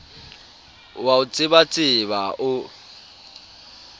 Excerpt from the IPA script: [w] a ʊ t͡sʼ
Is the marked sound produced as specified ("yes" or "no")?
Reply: yes